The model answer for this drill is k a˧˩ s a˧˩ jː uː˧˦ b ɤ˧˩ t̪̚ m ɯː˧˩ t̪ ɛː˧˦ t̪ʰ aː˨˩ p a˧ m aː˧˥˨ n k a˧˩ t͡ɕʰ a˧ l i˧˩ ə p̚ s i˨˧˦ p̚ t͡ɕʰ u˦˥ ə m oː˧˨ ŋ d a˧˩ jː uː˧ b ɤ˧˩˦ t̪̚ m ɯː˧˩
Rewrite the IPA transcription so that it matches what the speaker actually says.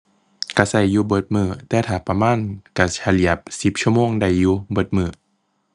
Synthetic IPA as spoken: k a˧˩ s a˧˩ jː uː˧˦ b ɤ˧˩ t̪̚ m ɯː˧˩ t̪ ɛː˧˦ t̪ʰ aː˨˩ p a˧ m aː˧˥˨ n k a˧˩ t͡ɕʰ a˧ l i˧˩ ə p̚ s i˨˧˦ p̚ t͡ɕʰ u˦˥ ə m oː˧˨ ŋ d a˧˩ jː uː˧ b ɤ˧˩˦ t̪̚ m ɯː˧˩